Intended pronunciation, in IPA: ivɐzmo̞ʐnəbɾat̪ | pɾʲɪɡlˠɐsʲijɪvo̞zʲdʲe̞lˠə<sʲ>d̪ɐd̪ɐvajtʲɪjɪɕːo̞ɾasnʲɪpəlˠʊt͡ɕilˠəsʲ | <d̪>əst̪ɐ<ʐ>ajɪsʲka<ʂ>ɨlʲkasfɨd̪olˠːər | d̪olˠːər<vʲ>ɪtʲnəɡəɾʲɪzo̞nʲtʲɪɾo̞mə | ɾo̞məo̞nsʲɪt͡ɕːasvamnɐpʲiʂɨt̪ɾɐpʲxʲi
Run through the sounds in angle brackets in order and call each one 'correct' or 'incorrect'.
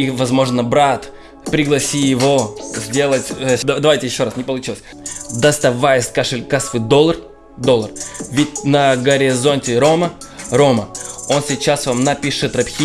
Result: incorrect, correct, incorrect, correct, correct

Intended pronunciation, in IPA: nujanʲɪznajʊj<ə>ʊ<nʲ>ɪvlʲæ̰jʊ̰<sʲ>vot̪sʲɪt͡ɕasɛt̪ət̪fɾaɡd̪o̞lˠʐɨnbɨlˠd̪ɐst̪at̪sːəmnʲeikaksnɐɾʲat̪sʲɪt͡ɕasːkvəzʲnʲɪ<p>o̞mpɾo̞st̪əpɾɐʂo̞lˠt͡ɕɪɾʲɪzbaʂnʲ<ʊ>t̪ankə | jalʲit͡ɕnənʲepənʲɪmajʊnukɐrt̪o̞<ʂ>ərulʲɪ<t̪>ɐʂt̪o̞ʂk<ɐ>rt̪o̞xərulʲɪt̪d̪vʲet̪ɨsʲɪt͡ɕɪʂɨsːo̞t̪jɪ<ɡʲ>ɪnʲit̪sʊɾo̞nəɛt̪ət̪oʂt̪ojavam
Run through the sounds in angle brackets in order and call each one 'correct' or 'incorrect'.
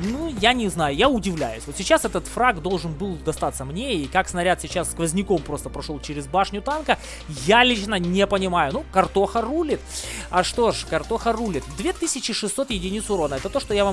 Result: incorrect, incorrect, correct, incorrect, correct, incorrect, correct, correct, incorrect

